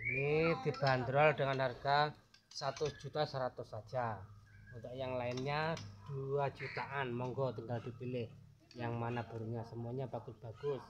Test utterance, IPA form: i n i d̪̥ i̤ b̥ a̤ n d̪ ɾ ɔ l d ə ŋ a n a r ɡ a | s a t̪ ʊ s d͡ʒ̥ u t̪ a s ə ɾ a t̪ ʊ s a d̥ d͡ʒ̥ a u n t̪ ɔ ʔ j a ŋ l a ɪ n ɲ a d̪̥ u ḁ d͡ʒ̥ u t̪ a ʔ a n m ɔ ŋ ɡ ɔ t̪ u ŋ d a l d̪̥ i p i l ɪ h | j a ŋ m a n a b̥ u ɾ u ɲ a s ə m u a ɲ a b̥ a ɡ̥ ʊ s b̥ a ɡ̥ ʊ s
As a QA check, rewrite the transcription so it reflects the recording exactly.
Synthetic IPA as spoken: i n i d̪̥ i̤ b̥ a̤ n d̪ ɾ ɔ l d ə ŋ a n a r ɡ a | s a t̪ ʊ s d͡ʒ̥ u t̪ a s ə ɾ a t̪ ʊ s a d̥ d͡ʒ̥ a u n t̪ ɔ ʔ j a ŋ l a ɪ n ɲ a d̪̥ u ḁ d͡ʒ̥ u t̪ a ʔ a n m ɔ ŋ ɡ ɔ t̪ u ŋ ɡ a l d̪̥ i p i l ɪ h | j a ŋ m a n a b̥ u ɾ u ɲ a s ə m u a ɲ a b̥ a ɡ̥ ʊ s b̥ a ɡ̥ ʊ s